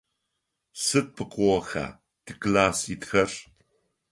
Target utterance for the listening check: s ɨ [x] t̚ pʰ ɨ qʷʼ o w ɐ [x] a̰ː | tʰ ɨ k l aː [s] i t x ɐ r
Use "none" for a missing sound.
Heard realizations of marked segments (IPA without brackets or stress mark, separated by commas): none, x, s